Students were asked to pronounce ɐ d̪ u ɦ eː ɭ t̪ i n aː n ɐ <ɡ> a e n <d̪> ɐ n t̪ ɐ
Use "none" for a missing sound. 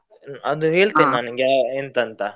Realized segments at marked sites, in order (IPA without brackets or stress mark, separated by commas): ɡ, t̪